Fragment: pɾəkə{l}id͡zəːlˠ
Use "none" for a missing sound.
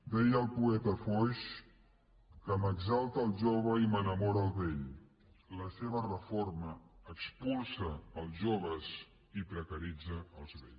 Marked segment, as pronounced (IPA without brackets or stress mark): ɾ